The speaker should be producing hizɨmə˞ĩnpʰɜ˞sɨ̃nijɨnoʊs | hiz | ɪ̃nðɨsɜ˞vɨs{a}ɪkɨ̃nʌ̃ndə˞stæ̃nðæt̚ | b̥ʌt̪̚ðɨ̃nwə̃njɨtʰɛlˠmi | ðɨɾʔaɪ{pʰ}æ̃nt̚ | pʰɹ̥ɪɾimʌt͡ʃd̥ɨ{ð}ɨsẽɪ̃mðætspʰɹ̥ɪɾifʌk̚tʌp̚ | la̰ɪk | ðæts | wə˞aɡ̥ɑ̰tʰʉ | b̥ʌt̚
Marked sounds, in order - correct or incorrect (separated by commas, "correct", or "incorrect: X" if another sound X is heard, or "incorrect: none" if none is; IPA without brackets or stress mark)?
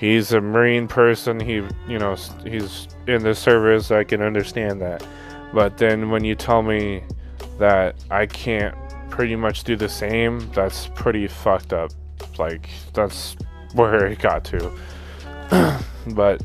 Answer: correct, incorrect: kʰ, correct